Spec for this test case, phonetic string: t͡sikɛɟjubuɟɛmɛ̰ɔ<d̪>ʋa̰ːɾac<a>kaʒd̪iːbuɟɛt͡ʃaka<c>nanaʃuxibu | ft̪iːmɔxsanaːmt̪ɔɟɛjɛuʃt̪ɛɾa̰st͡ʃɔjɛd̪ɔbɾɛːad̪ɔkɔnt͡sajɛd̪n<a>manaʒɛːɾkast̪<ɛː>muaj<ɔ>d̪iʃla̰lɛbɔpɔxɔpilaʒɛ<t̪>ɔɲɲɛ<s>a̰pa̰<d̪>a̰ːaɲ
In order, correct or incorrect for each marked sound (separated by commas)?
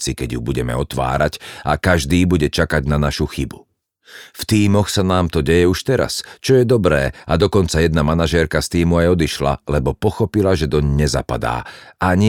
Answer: incorrect, correct, incorrect, correct, incorrect, correct, incorrect, incorrect, correct